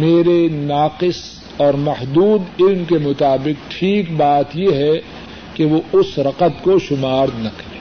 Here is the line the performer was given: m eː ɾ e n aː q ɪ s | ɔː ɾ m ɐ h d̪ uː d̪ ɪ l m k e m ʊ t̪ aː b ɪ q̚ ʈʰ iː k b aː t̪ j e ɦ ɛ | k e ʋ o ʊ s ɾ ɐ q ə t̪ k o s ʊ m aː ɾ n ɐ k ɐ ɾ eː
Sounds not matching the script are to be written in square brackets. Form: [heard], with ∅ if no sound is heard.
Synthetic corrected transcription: m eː ɾ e n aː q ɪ s | ɔː ɾ m ɐ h d̪ uː d̪ ɪ l m k e m ʊ t̪ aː b ɪ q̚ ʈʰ iː k b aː t̪ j e ɦ ɛ | k e ʋ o ʊ s ɾ ɐ q ə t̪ k o [ʃ] ʊ m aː ɾ n ɐ k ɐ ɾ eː